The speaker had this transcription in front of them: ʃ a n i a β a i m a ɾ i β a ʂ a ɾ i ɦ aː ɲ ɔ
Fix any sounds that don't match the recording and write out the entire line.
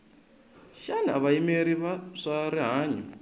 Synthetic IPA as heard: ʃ a n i a β a i m e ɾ i β a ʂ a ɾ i ɦ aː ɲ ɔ